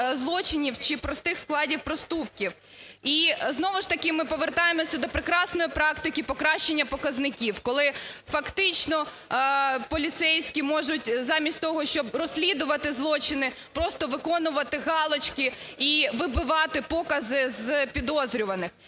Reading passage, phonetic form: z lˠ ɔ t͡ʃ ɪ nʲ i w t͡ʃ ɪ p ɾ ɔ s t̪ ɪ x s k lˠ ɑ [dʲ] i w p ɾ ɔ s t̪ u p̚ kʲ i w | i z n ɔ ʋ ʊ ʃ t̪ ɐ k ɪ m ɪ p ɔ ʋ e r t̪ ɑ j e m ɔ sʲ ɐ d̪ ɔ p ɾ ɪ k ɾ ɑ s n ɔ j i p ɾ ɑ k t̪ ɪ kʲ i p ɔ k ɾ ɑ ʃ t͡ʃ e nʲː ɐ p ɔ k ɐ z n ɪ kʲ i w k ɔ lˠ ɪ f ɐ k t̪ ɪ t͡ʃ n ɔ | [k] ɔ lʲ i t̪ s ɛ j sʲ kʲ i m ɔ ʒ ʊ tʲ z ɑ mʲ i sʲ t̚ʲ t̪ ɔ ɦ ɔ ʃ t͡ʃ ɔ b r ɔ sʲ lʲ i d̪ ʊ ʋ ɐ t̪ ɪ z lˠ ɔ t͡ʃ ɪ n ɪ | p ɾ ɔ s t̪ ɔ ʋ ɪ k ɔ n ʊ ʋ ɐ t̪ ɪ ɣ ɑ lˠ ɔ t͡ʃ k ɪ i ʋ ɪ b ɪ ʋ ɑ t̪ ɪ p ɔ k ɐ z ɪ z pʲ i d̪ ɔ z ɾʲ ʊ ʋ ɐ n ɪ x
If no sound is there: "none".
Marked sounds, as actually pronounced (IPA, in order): dʲ, p

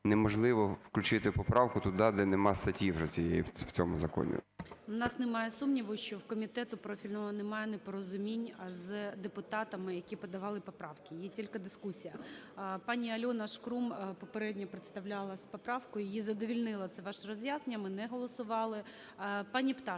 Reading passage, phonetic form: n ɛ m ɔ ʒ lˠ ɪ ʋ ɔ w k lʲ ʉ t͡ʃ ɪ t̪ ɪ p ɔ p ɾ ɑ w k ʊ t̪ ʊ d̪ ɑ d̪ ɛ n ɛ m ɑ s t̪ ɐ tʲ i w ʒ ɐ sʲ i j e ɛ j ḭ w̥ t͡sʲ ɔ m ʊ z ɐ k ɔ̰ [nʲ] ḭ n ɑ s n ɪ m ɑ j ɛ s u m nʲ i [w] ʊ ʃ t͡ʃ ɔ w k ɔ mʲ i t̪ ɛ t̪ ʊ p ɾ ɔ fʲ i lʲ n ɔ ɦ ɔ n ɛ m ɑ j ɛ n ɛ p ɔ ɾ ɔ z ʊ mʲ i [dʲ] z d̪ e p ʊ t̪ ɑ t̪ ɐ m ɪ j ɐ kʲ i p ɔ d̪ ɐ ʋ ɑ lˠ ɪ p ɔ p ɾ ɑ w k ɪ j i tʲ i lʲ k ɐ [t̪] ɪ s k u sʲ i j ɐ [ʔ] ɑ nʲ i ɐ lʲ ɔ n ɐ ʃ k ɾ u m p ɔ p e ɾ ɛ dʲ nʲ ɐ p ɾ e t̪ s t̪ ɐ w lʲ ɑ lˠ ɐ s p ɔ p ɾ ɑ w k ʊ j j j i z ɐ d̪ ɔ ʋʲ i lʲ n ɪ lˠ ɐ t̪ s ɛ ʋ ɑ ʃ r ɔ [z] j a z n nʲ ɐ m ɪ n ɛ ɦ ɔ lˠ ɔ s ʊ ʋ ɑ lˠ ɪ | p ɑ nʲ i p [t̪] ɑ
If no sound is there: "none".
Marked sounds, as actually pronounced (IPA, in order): nʲ, ʋ, nʲ, d̪, p, z, t̪

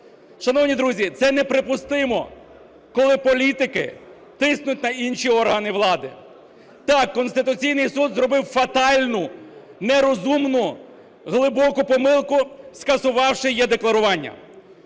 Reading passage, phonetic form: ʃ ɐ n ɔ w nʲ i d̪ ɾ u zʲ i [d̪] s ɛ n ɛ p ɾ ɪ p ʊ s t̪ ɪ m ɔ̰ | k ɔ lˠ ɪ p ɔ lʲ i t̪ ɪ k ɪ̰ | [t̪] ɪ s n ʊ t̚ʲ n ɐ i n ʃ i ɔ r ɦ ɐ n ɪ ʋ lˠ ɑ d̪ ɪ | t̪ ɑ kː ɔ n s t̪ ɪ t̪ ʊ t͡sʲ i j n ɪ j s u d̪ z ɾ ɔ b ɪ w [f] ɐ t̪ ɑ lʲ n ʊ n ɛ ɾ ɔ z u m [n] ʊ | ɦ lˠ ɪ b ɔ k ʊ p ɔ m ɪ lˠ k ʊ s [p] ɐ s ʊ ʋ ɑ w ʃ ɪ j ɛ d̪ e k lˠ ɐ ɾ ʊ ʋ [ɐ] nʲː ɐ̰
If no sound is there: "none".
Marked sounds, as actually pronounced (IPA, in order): t̪, t̪, f, n, k, ɑ

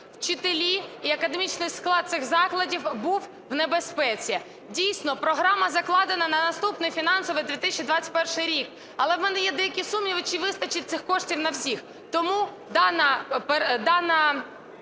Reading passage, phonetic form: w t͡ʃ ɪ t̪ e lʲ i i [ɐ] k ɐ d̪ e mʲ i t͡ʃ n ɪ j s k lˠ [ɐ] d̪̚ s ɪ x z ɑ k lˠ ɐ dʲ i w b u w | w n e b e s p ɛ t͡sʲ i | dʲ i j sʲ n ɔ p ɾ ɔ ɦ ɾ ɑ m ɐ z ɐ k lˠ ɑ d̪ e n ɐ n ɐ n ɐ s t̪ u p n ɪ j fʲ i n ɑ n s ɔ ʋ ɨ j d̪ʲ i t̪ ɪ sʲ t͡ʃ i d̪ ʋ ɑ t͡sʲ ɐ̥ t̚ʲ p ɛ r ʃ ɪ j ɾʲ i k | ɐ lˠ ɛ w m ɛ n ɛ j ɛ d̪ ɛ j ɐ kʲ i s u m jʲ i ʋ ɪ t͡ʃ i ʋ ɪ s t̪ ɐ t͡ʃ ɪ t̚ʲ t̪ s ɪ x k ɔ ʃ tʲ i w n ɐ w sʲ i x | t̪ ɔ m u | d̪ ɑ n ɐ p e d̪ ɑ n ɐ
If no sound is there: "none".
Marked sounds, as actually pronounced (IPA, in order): ɐ, ɑ

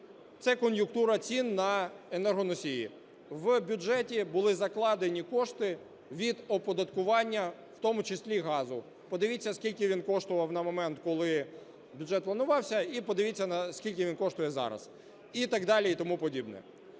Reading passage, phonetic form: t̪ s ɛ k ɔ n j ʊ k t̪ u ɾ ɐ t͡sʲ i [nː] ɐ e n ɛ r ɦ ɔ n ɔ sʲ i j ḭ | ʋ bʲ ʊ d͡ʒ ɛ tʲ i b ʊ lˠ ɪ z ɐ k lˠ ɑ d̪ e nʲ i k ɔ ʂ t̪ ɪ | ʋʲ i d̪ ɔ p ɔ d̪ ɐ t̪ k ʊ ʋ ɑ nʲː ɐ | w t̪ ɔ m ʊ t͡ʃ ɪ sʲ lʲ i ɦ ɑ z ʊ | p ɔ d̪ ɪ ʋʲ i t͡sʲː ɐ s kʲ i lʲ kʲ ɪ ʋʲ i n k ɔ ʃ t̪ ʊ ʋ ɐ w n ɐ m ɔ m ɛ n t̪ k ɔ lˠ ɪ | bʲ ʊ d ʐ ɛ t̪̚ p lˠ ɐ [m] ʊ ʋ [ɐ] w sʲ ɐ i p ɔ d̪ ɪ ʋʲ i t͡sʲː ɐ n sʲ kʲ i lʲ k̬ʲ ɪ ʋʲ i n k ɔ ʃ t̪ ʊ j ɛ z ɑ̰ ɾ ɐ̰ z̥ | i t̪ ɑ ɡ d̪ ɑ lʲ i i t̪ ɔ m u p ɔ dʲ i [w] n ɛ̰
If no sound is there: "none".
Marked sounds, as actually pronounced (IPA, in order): nː, n, ɑ, b

